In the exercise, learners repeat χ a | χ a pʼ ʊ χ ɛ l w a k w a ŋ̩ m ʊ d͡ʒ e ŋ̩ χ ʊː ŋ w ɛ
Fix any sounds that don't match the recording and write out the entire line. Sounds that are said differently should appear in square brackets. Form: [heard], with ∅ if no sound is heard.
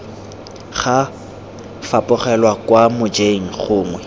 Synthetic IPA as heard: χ a | [f] a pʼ ʊ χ ɛ l w a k w a [∅] m ʊ d͡ʒ e ŋ̩ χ ʊː ŋ w ɛ